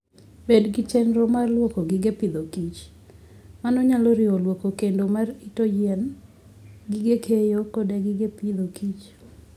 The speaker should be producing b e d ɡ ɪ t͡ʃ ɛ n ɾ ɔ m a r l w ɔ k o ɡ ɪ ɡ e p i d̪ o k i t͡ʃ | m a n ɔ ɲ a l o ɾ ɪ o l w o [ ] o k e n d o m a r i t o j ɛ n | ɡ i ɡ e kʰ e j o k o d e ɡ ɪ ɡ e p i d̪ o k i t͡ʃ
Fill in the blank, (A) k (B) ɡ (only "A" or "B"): A